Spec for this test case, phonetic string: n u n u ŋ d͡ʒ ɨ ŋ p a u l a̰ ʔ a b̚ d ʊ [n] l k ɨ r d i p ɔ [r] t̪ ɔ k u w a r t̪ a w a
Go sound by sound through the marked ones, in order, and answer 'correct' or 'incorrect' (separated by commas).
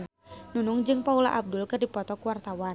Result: incorrect, incorrect